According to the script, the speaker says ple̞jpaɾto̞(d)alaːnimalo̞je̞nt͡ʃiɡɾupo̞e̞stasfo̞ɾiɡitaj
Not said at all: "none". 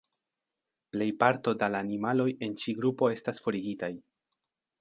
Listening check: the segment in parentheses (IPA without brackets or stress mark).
d